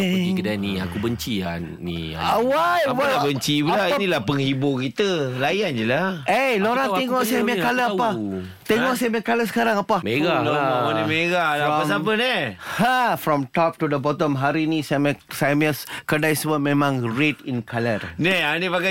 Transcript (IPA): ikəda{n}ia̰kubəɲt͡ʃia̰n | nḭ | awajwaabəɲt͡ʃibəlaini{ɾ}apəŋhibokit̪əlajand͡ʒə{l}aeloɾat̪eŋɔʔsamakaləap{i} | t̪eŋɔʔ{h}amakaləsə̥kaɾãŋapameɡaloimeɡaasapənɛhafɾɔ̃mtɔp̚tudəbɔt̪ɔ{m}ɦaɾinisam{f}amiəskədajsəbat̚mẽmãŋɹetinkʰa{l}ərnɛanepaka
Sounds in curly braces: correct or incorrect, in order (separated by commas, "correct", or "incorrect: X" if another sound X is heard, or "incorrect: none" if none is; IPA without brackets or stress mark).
correct, incorrect: l, correct, incorrect: a, incorrect: s, correct, incorrect: s, correct